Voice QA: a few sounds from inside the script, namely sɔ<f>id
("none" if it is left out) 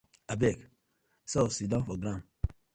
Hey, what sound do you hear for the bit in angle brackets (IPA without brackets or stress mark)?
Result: s